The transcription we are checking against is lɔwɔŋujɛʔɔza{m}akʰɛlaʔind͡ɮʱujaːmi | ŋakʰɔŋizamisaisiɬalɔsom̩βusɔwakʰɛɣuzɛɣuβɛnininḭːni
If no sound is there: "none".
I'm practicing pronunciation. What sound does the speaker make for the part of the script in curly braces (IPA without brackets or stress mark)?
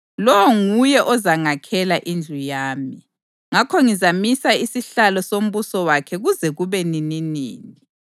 ŋ